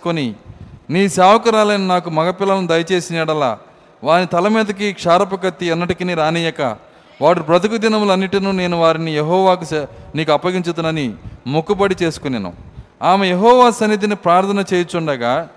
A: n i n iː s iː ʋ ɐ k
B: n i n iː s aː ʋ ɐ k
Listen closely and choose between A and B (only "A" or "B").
B